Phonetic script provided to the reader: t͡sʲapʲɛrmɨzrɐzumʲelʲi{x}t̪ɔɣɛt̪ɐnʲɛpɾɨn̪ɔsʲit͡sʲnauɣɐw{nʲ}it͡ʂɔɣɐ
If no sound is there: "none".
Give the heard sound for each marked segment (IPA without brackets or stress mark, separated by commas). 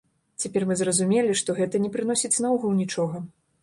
ʂ, nʲ